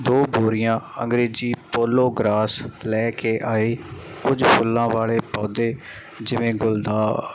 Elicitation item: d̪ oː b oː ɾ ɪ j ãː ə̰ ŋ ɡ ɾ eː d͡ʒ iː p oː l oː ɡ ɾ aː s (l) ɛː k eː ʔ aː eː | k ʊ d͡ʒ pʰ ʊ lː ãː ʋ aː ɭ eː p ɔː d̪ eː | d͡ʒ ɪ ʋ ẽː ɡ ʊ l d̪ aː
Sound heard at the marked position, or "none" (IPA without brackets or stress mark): l